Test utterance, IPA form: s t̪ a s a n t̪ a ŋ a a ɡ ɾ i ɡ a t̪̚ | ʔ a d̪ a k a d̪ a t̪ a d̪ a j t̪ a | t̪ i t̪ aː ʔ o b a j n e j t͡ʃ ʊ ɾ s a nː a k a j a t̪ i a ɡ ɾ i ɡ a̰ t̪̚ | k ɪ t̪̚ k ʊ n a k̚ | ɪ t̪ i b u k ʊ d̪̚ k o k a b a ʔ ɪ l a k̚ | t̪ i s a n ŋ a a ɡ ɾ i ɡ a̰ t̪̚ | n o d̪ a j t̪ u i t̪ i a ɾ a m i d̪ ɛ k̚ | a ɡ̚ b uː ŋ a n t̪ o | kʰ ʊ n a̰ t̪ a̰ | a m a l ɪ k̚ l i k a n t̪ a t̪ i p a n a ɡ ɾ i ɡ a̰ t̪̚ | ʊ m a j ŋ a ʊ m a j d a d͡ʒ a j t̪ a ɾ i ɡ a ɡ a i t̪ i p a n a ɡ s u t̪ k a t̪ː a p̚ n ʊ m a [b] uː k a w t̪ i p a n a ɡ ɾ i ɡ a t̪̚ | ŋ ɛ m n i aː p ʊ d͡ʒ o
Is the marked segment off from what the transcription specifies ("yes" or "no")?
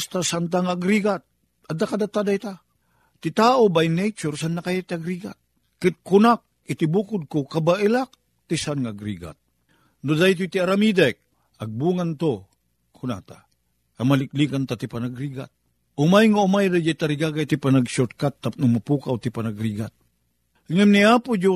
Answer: yes